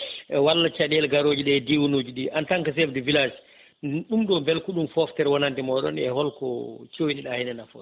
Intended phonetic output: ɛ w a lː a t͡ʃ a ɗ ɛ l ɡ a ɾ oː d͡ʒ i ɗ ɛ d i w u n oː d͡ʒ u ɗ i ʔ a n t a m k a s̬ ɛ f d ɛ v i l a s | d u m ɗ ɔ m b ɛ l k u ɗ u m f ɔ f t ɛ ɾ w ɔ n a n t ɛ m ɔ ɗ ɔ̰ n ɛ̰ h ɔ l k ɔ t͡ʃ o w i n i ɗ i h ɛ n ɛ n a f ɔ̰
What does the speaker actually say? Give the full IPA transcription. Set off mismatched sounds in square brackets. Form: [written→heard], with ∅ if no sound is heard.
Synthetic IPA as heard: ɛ w a lː a t͡ʃ a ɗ ɛ l ɡ a ɾ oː d͡ʒ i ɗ ɛ d i w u n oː d͡ʒ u ɗ i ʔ a n t a [m→ŋ] k a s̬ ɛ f d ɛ v i l a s | [d→ɗ] u m ɗ ɔ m b ɛ l k u ɗ u m f ɔ f t ɛ ɾ w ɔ n a n t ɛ m ɔ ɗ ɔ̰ n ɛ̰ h ɔ l k ɔ t͡ʃ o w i n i ɗ [i→a] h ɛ n ɛ n a f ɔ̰

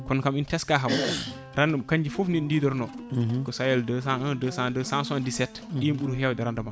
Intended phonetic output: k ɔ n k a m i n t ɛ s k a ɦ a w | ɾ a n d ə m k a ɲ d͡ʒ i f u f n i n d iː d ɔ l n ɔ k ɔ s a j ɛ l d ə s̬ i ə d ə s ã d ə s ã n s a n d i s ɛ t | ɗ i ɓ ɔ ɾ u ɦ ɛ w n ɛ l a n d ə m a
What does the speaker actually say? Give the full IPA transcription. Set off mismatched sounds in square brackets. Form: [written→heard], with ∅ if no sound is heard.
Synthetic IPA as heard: k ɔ n k a m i n t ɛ s k a ɦ a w | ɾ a n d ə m k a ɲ d͡ʒ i f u f n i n d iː d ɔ [l→ɾ] n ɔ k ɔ s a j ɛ l d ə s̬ [i→a] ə d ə s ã d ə s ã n s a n d i s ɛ t | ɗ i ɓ [ɔ→u] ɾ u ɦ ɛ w [n→d] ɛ [l→ɾ] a n d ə m a

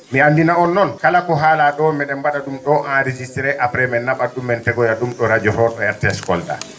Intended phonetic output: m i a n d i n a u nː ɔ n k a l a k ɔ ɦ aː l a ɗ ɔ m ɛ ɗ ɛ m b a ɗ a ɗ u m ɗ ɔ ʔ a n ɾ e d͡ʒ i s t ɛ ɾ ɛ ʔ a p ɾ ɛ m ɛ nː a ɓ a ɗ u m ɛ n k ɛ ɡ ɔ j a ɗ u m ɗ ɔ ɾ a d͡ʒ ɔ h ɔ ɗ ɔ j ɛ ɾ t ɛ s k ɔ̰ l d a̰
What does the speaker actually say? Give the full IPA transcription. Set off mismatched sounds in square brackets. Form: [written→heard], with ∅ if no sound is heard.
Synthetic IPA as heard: m i a n d i n a [u→ɔ] nː ɔ n k a l a k ɔ ɦ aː l a ɗ ɔ m ɛ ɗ ɛ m b a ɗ a ɗ u m ɗ ɔ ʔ a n ɾ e d͡ʒ i s t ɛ ɾ ɛ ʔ a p ɾ ɛ m ɛ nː a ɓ a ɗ u m ɛ n [k→t] ɛ ɡ ɔ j a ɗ u m ɗ ɔ ɾ a d͡ʒ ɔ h ɔ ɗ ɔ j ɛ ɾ t ɛ s k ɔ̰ l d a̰

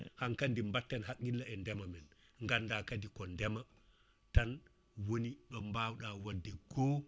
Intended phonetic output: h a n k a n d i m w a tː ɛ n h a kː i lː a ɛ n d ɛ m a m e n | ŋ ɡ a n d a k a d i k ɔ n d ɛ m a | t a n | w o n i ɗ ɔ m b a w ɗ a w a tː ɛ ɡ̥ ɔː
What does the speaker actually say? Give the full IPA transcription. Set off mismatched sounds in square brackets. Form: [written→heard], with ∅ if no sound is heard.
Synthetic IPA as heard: h a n k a n d i m [w→b] a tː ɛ n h a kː i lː a ɛ n d ɛ m a m [e→ɛ] n | ŋ ɡ a n d a k a d i k ɔ n d ɛ m a | t a n | w o n i ɗ ɔ m b a w ɗ a w a [tː→dː] ɛ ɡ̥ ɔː

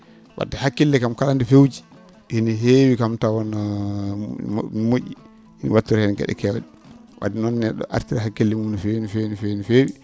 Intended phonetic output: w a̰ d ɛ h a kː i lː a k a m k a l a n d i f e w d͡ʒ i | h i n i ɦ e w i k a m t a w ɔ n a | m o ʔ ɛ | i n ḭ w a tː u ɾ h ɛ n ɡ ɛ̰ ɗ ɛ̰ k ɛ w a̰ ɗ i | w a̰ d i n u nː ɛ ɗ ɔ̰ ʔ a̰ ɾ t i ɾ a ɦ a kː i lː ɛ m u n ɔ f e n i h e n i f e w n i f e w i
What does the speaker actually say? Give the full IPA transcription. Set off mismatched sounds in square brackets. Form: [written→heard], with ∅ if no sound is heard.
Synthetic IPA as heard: w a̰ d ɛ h a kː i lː [a→ɛ] k a m k a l a n d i f e w d͡ʒ i | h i n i ɦ e w i k a m t a w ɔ n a | m o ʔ [ɛ→i] | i n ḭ w a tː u ɾ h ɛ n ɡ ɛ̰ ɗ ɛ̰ k ɛ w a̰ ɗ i | w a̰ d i n [u→ɔ] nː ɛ ɗ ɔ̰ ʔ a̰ ɾ t i ɾ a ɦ a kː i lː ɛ m u n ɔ f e n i [h→f] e n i f e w n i f e w i

